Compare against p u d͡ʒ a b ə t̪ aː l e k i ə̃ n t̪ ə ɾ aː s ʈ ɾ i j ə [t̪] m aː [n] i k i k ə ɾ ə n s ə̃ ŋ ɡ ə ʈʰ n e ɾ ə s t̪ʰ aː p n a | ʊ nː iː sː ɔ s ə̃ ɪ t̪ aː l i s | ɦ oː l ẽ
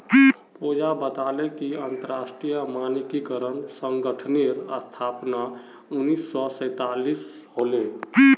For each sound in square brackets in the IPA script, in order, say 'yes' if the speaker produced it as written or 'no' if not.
no, yes

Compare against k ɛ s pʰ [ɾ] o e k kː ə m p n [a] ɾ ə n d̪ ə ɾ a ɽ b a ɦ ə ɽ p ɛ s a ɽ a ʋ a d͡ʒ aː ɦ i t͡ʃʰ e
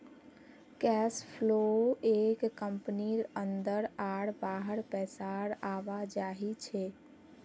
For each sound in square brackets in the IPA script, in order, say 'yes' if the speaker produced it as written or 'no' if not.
no, no

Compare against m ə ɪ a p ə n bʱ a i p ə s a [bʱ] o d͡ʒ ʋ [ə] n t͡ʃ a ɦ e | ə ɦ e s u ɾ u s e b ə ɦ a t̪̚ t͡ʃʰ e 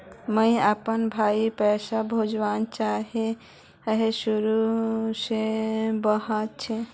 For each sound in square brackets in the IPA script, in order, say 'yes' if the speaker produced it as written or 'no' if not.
yes, no

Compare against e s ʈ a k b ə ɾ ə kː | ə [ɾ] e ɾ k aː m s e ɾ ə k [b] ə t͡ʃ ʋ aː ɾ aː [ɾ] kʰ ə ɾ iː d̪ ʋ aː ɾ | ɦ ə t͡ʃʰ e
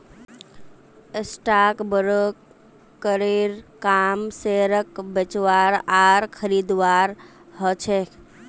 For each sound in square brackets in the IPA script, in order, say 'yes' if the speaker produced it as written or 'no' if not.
yes, yes, yes

